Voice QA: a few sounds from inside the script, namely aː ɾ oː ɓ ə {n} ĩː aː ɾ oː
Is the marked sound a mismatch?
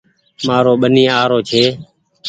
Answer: no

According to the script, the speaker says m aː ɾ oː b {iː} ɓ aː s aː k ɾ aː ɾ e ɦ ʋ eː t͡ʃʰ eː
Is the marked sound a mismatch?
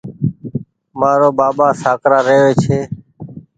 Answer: yes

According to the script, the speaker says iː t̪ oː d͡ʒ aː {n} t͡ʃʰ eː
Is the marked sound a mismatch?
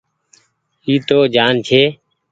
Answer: no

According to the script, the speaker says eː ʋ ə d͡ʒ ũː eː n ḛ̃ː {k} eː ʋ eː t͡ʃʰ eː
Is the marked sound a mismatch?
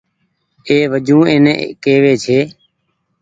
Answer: no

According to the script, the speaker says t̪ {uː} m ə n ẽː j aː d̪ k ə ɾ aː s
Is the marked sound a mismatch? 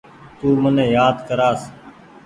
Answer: no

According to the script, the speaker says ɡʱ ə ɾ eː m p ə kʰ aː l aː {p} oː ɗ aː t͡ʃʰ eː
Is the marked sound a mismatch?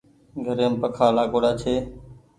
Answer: yes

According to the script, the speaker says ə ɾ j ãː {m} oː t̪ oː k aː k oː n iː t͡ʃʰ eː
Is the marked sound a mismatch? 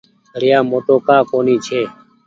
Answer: no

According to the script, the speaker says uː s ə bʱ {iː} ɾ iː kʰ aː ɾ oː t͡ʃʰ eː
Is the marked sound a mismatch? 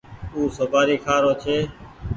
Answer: yes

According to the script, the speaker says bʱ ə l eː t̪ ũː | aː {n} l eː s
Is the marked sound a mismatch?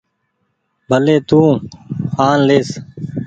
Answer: no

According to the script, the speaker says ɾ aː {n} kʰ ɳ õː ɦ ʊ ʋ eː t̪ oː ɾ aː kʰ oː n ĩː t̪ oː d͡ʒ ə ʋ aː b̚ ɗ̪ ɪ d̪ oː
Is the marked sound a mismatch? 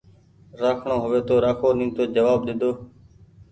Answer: yes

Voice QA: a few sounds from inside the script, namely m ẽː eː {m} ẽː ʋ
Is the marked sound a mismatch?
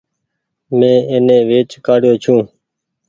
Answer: yes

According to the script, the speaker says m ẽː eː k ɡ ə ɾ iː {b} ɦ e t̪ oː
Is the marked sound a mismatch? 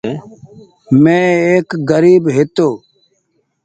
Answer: no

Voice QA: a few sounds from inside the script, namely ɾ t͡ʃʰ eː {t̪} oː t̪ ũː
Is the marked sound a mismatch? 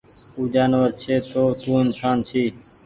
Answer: no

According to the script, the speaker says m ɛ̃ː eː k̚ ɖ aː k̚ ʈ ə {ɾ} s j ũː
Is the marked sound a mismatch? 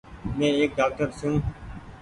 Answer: no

